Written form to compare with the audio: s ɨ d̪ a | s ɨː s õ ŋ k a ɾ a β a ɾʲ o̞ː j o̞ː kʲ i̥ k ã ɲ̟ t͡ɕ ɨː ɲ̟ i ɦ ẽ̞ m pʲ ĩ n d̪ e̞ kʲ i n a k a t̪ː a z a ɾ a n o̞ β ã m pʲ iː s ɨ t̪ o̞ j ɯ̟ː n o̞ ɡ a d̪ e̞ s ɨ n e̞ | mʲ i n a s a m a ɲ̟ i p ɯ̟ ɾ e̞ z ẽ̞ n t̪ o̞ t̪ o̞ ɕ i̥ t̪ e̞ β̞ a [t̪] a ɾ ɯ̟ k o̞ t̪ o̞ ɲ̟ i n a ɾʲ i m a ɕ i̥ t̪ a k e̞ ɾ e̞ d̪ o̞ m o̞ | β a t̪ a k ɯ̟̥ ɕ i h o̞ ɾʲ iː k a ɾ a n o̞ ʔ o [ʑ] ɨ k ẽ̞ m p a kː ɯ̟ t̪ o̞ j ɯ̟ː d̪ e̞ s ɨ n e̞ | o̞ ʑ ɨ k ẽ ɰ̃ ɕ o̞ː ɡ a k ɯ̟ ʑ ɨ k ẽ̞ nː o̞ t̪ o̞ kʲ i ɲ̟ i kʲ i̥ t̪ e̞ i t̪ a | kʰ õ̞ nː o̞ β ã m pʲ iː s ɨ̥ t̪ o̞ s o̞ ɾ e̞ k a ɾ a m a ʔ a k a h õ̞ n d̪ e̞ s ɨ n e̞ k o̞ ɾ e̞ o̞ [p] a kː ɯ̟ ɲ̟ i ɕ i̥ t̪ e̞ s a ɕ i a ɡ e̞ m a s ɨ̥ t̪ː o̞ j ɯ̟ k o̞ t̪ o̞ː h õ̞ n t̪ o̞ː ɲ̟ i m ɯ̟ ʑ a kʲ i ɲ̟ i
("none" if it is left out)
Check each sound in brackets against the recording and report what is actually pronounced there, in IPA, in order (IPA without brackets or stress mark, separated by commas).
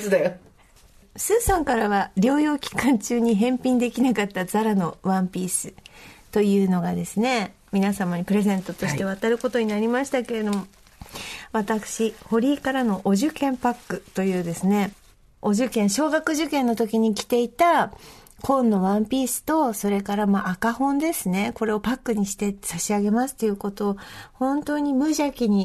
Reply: t̪, ʑ, p